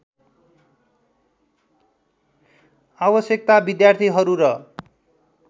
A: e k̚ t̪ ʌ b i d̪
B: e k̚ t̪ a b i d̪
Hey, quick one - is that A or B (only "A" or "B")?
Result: B